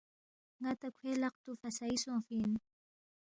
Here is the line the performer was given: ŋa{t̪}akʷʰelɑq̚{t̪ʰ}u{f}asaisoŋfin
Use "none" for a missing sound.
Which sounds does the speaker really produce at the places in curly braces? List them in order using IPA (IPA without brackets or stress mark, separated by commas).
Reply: t̪, t̪, f